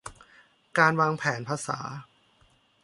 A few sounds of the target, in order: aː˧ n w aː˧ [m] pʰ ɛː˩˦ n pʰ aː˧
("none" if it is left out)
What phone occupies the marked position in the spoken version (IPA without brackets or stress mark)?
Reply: ŋ